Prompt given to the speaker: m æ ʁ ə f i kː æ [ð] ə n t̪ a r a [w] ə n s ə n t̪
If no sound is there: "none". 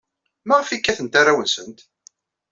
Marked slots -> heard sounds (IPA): θ, w

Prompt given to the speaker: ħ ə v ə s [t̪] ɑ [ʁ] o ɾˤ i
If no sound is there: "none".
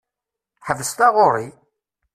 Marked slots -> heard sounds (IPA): t̪, ʁ

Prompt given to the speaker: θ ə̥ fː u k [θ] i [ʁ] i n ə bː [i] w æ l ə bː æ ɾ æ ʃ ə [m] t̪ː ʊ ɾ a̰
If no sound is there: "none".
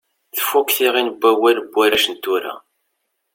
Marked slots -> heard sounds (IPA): θ, ʁ, æ, n

